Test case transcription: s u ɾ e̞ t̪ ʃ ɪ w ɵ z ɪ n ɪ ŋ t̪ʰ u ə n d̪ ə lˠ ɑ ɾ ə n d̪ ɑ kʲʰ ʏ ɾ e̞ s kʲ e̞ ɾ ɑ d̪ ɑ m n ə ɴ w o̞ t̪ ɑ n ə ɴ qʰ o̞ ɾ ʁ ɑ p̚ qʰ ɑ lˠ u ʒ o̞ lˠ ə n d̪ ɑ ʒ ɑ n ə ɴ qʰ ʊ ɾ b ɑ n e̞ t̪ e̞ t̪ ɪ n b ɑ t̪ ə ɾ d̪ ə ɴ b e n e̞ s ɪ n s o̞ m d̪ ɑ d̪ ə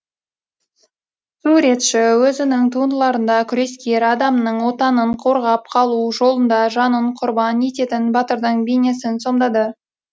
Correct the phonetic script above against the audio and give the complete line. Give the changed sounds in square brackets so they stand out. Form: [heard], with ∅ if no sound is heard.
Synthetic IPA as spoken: s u ɾ e̞ t̪ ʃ ɪ w ɵ z ɪ n ɪ ŋ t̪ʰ u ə n d̪ ə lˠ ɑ ɾ ə n d̪ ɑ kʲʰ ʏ ɾ e̞ s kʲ e̞ ɾ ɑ d̪ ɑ m n ə ɴ w o̞ t̪ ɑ n ə ɴ qʰ o̞ ɾ ʁ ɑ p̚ qʰ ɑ lˠ u ʒ o̞ lˠ ə n d̪ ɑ ʒ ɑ n ə ɴ qʰ ʊ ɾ b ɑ n e̞ t̪ e̞ t̪ ɪ n b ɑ t̪ ə ɾ d̪ ə ɴ b e n e̞ s ɪ n s o̞ m d̪ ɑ d̪ ə